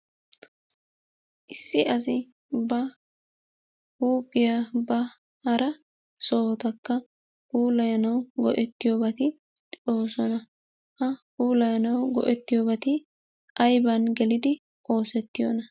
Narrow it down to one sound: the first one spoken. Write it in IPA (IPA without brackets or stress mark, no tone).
ʔ